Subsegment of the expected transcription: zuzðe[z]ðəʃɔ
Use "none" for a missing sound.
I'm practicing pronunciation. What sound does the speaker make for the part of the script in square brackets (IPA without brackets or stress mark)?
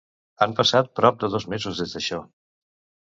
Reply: z